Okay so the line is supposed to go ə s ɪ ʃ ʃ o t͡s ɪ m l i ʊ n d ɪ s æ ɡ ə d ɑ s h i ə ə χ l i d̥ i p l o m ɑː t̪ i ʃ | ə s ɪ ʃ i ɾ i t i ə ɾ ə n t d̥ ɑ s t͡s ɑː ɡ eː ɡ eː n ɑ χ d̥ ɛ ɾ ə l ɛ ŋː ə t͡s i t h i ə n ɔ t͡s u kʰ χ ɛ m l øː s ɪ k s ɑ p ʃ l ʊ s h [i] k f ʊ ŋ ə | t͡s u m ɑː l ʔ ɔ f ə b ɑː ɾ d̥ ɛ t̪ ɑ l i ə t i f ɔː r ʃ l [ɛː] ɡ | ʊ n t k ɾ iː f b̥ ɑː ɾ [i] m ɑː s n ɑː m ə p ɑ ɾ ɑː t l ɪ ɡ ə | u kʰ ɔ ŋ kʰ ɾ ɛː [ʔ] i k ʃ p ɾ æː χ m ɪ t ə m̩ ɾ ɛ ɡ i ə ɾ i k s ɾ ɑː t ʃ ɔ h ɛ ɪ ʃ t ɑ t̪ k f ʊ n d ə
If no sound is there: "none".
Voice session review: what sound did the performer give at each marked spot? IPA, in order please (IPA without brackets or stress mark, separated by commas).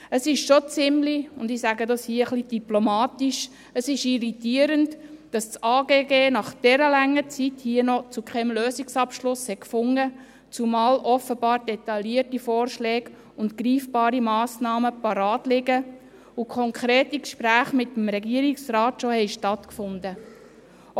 ɛ, ɛː, i, t